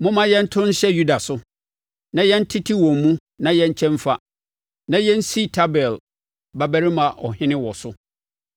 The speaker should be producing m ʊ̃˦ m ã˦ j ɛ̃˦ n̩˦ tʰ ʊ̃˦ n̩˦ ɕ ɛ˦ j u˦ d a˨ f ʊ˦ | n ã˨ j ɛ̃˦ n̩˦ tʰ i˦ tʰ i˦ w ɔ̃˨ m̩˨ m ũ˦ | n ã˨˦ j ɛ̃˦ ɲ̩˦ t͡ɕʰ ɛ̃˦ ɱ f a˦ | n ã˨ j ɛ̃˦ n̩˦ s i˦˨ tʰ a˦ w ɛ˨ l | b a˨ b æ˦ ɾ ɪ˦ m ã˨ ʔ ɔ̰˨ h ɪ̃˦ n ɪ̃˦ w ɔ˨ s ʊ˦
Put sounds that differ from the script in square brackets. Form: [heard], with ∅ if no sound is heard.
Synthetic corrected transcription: m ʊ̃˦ m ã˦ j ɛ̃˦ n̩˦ tʰ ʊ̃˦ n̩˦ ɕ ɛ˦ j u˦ d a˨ [s] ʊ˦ | n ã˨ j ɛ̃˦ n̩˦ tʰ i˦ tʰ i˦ w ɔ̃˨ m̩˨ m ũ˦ | n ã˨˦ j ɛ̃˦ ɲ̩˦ t͡ɕʰ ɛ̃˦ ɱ f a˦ | n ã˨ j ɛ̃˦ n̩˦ s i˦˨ tʰ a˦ [b] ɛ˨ l | b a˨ b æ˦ ɾ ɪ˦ m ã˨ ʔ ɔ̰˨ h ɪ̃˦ n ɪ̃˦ w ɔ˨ s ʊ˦

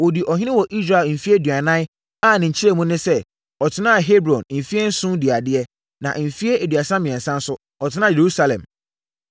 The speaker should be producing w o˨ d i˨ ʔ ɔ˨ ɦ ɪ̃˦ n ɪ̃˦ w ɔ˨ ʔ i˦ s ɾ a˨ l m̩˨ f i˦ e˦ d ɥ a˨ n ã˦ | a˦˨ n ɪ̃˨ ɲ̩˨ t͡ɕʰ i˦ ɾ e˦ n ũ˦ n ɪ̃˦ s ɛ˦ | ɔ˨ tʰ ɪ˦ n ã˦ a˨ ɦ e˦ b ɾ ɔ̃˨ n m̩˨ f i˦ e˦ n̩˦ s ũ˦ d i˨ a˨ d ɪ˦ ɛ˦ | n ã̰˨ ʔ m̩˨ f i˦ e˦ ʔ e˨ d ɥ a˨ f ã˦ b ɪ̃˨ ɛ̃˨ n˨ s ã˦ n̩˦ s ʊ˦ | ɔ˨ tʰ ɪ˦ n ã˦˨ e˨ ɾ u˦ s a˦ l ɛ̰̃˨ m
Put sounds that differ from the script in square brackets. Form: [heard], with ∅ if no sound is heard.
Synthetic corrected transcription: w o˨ d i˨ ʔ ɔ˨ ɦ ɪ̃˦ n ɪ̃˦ w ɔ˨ ʔ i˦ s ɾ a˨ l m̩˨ f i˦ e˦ d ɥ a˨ n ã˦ | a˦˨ n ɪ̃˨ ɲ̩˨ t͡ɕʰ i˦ ɾ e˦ [m] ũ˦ n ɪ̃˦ s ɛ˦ | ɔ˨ tʰ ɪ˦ n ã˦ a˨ ɦ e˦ b ɾ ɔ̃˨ n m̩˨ f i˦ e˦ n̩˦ s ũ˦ d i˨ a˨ d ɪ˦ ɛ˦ | n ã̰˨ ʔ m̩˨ f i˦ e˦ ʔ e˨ d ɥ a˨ [s] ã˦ [m] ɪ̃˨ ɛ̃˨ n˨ s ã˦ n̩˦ s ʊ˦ | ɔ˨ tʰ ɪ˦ n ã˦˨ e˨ ɾ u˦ s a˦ l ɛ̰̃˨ m

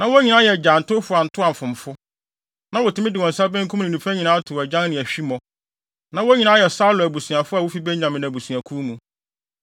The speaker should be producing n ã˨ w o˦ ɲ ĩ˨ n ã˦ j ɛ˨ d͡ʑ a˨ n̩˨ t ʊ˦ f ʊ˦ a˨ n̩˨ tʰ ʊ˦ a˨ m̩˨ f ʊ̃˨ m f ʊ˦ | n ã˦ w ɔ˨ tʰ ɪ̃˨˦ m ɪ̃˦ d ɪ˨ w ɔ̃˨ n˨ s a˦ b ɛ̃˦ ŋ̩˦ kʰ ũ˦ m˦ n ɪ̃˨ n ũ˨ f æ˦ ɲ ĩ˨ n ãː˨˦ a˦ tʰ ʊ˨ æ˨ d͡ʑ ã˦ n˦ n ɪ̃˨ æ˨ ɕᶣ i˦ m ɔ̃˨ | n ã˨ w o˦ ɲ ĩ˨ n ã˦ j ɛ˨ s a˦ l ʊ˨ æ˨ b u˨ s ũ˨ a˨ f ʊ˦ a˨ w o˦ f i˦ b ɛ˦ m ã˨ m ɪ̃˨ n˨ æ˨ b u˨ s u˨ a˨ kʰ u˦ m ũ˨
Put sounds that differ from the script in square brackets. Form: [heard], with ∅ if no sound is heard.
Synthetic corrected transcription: n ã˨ w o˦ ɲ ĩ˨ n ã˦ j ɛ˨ d͡ʑ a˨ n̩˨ t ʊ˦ f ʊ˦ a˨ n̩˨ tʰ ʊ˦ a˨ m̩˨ f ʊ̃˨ m f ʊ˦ | n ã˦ w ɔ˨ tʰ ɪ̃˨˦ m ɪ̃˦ d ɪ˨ w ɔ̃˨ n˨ s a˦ b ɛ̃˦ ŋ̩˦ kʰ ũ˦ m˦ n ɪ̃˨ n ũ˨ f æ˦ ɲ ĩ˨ n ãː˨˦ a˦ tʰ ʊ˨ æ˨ d͡ʑ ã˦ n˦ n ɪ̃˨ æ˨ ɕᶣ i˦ m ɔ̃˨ | n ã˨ w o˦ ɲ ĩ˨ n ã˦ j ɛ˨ s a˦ l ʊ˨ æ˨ b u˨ s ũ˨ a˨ f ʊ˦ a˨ w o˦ f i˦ b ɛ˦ [ɲ] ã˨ m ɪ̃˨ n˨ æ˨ b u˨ s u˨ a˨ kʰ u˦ m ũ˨

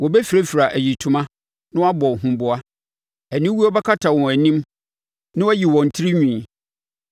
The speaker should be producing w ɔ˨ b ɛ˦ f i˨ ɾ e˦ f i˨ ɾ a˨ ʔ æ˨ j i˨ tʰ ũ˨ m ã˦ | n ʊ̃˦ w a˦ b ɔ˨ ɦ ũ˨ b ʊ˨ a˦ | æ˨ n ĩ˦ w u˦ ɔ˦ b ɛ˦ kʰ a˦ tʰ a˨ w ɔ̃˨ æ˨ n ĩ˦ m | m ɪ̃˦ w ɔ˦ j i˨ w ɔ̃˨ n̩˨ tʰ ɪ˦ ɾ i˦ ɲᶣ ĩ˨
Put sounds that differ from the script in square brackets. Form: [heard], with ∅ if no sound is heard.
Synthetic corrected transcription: w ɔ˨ b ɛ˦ f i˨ ɾ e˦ f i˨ ɾ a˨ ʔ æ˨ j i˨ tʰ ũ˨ m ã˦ | n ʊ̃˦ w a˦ b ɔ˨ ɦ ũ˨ b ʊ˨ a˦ | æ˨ n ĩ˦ w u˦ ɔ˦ b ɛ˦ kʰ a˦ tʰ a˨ w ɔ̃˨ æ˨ n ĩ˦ m | [n] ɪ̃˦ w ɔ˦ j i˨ w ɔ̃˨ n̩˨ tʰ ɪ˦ ɾ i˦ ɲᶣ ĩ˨

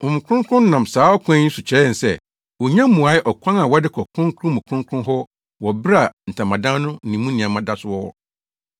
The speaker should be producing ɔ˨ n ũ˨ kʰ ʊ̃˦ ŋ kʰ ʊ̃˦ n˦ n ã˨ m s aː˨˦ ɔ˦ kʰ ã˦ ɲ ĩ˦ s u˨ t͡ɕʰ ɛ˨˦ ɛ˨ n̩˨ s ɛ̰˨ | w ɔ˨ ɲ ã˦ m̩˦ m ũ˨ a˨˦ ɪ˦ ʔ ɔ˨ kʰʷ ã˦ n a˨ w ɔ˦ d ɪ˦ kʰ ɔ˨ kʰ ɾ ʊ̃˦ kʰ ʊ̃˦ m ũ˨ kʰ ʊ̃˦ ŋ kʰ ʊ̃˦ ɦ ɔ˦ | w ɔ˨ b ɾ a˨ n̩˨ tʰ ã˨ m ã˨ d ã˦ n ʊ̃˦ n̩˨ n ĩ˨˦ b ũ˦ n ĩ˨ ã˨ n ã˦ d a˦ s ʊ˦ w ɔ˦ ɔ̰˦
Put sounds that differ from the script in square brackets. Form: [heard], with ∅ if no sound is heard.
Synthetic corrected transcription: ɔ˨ [m] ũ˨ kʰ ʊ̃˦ ŋ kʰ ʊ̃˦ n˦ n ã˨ m s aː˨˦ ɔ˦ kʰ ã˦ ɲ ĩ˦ s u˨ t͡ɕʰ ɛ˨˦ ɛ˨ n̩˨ s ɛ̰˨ | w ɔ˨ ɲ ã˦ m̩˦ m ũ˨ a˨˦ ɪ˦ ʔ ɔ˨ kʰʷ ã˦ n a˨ w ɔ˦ d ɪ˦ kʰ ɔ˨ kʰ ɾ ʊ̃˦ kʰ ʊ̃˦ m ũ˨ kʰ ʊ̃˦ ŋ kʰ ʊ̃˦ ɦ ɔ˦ | w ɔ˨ b ɾ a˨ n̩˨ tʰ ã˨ m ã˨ d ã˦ n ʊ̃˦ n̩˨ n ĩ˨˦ [m] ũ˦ n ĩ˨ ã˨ [m] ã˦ d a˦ s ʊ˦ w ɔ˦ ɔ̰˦

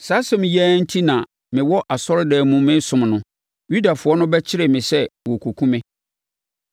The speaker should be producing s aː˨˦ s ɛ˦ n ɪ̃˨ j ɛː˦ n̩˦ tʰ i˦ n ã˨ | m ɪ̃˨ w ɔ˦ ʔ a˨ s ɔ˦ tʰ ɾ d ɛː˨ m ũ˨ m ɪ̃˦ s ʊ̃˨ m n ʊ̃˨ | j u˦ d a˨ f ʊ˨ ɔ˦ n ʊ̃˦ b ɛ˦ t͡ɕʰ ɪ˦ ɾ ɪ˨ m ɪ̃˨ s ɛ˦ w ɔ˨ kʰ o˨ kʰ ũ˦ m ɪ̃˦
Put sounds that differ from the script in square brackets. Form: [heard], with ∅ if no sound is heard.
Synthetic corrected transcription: s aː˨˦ s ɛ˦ [m] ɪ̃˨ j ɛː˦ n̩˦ tʰ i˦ n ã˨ | m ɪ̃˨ w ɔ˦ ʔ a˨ s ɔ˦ [∅] ɾ d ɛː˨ m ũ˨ m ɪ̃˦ s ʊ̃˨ m n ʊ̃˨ | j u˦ d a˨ f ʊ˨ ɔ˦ n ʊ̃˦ b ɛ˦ t͡ɕʰ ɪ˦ ɾ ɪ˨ m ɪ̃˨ s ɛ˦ w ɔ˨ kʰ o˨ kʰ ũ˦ m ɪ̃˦

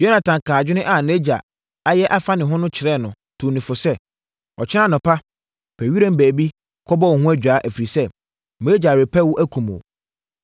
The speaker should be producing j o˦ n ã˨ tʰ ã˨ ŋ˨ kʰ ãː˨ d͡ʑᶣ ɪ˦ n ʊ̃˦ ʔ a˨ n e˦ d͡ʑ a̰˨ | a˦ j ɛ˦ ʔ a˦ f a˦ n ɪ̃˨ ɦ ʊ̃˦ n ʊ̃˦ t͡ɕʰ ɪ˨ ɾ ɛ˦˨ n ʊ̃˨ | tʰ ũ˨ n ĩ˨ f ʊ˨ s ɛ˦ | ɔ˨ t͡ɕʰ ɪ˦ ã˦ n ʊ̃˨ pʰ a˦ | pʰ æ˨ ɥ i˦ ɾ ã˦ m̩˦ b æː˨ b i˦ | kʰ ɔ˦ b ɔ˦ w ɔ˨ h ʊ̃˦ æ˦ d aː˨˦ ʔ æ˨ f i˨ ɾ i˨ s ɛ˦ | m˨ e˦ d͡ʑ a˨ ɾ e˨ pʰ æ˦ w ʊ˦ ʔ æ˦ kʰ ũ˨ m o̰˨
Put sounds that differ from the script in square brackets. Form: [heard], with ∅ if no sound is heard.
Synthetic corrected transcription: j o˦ n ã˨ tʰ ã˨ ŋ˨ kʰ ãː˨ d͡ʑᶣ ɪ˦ n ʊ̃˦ ʔ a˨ n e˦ d͡ʑ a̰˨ | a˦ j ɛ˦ ʔ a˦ f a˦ n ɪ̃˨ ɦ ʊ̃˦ n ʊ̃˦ t͡ɕʰ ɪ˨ ɾ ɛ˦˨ n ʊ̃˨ | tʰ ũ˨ n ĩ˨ f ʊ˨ s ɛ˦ | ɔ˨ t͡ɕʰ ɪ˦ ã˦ n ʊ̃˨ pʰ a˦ | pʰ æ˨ ɥ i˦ ɾ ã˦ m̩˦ b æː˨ b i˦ | kʰ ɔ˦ b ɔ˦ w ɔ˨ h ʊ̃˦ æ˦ [d͡ʑᶣ] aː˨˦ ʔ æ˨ f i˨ ɾ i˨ s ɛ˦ | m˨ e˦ d͡ʑ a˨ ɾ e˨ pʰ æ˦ w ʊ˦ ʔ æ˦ kʰ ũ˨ m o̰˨

